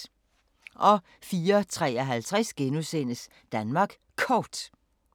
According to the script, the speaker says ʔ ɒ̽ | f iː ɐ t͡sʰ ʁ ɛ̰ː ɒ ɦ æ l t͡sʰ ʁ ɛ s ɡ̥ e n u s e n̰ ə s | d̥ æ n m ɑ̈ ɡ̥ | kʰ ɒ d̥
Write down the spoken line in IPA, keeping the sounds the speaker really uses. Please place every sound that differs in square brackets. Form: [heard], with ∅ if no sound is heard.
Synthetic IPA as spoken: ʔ ɒ̽ | f iː ɐ t͡sʰ ʁ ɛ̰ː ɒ ɦ æ l t͡sʰ ʁ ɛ s ɡ̥ e n u s e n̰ ə s | d̥ æ n m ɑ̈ ɡ̥ | kʰ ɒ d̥